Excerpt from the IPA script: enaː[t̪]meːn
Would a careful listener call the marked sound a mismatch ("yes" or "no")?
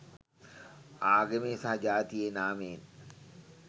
yes